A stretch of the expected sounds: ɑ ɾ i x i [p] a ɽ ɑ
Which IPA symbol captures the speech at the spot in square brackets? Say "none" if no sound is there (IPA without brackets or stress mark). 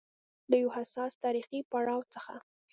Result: p